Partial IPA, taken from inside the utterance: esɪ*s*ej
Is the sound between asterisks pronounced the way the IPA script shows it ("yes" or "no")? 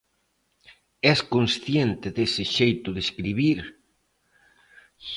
no